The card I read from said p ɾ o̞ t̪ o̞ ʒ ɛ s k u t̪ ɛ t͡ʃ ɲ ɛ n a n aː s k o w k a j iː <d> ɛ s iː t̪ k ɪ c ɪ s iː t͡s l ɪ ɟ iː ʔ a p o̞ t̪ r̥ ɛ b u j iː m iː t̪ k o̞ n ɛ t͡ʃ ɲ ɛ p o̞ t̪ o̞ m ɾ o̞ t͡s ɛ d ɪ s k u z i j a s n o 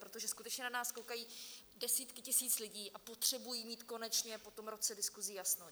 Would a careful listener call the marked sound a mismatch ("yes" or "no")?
no